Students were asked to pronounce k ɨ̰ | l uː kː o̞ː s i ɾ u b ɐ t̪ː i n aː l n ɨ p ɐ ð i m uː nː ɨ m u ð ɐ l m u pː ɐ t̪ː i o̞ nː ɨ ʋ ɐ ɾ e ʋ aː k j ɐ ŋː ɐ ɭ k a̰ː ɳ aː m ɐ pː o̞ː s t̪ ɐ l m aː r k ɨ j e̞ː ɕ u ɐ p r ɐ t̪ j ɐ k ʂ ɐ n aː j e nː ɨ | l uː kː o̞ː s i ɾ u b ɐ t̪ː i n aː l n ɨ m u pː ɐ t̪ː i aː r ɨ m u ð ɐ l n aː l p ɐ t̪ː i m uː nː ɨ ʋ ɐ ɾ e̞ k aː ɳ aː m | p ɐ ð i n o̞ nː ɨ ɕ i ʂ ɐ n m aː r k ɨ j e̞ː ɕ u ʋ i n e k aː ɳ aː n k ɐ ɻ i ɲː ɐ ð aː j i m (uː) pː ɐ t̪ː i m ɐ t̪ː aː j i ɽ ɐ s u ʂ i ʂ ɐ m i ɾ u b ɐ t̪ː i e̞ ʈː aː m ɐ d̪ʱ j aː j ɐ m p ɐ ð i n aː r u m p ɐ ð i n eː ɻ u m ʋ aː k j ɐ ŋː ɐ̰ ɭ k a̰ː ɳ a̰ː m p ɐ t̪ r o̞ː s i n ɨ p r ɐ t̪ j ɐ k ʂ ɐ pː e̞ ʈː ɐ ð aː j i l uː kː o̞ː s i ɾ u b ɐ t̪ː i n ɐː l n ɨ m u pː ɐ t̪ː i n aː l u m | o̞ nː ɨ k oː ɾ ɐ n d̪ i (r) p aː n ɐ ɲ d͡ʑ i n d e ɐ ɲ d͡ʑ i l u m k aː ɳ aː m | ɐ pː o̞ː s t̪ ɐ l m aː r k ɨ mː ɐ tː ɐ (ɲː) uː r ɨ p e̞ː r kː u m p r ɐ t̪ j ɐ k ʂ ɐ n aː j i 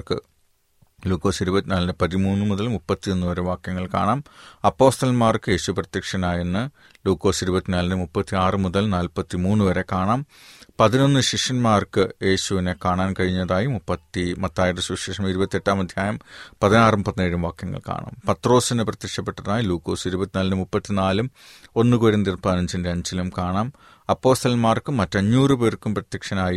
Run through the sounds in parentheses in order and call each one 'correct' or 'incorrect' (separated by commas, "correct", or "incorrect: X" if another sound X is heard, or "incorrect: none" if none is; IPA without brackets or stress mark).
incorrect: u, correct, correct